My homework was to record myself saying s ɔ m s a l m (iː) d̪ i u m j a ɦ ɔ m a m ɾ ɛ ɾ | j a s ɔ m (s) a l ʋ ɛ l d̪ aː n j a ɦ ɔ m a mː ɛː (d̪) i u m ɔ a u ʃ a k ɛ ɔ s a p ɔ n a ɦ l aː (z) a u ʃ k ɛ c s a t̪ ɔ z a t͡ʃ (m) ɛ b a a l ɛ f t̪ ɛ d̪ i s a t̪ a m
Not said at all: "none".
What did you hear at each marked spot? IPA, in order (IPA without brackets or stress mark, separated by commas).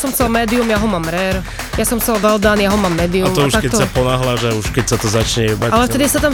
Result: ɛː, s, d̪, ʒ, ɲ